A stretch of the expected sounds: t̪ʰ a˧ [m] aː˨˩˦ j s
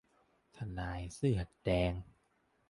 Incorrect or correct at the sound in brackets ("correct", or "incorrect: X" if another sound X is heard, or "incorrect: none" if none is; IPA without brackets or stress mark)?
incorrect: n